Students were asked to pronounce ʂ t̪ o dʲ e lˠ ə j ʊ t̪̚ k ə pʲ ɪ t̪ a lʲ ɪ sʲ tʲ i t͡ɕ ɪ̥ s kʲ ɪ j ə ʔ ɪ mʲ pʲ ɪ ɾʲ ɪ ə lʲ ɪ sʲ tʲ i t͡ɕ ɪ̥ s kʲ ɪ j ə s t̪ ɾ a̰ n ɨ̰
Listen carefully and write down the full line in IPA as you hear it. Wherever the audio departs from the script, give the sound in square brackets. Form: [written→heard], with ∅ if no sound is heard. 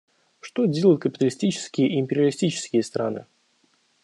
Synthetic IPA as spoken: ʂ t̪ o dʲ e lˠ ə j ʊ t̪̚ k ə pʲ ɪ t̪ [a→ə] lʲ ɪ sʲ tʲ i t͡ɕ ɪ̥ s kʲ ɪ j ə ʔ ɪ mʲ pʲ ɪ ɾʲ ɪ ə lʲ ɪ sʲ tʲ i t͡ɕ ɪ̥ s kʲ ɪ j ə s t̪ ɾ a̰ n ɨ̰